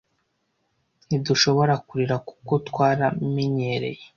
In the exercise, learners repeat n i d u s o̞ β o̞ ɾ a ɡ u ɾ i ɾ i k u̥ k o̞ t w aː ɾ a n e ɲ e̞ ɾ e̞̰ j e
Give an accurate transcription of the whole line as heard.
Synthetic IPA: n i d u ʃ o̞ β o̞ ɾ a k u ɾ i ɾ a k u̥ k o̞ t w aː ɾ a m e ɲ e̞ ɾ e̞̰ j e